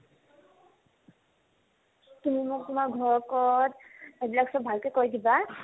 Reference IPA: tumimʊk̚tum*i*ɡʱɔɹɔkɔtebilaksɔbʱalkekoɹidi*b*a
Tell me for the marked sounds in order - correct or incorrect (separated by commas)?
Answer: incorrect, correct